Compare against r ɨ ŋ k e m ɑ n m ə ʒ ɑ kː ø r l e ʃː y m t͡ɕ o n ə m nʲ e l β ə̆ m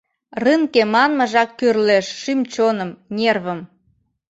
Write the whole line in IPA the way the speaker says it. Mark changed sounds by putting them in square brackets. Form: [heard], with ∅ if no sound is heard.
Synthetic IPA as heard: r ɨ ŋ k e m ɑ n m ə ʒ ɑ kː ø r l e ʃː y m t͡ɕ o n ə m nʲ e [r] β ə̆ m